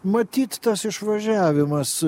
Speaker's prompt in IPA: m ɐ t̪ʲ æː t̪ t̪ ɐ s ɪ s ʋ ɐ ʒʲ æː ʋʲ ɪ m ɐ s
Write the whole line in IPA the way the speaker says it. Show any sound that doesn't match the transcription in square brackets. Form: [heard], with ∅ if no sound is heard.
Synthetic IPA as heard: m ɐ t̪ʲ [iː] t̪ t̪ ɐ s ɪ [ʃ] ʋ ɐ ʒʲ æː ʋʲ ɪ m ɐ s